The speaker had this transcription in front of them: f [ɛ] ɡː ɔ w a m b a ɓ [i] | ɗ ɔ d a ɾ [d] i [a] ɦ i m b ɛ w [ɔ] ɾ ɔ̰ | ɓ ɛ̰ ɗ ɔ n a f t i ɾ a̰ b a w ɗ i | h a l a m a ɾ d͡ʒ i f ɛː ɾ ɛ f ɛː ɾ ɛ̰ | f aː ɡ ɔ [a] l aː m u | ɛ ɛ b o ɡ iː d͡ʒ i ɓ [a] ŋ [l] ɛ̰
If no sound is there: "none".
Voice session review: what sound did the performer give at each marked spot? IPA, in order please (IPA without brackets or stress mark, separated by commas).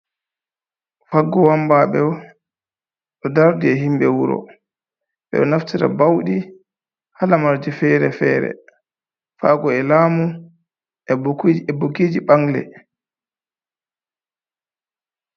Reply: a, ɛ, d, ɛ, u, ɛ, a, l